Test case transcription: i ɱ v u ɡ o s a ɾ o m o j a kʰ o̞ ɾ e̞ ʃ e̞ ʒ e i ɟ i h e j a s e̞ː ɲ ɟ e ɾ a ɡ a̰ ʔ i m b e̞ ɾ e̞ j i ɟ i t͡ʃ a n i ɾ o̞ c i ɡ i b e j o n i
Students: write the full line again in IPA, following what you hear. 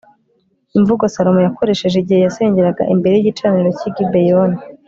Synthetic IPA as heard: i ɱ v u ɡ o s a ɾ o m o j a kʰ o̞ ɾ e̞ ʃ e̞ ʒ e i ɟ i h e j a s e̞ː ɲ ɟ e ɾ a ɡ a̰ ʔ i m b e̞ ɾ e̞ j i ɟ i t͡ʃ a n i ɾ o̞ c i ɡ i b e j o n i

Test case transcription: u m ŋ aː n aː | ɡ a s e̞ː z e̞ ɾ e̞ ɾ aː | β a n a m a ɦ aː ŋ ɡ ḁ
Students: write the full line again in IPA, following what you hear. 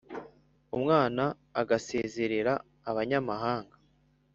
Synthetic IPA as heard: u m ŋ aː n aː | ɡ a s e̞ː z e̞ ɾ e̞ ɾ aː | β a ɲ a m a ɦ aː ŋ ɡ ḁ

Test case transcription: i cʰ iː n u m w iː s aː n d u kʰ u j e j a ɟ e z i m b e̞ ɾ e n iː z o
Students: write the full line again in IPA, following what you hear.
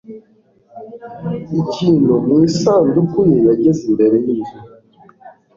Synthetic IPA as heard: i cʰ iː n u m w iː s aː n d u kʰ u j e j a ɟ e z i m b e̞ ɾ e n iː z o

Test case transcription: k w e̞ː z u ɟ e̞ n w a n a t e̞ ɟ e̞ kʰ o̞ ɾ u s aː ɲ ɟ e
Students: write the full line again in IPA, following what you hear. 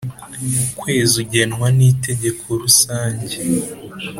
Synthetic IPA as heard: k w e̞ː z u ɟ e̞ n w a n i t e̞ ɟ e̞ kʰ o̞ ɾ u s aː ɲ ɟ e

